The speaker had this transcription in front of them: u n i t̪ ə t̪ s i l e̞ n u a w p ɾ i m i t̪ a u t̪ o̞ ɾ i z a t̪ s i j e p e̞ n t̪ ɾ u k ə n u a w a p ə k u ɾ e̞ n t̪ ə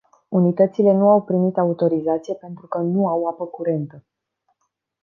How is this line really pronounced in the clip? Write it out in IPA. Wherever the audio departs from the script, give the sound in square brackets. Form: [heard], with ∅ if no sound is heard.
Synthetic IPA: u n i t̪ ə t̪ s i l e̞ n u a w p ɾ i m i t̪ a u t̪ o̞ ɾ i z a t̪ s i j e p e̞ n t̪ ɾ u k ə n u a w a p ə k u ɾ e̞ n t̪ ə